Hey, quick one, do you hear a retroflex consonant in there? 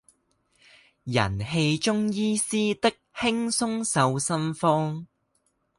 no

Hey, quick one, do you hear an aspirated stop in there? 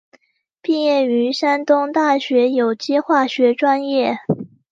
no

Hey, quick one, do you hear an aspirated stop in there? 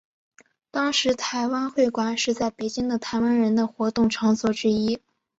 yes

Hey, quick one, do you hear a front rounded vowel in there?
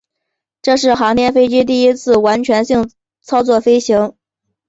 no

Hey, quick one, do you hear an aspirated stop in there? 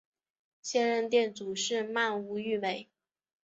no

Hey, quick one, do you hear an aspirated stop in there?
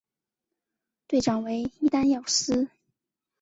no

